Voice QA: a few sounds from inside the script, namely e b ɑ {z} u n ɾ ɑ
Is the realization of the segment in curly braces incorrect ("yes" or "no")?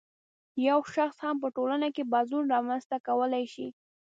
no